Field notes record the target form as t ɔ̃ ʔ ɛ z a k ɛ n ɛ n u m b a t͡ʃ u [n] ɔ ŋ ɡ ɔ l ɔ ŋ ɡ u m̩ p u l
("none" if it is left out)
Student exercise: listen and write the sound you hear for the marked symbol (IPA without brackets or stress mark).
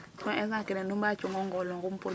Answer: ŋ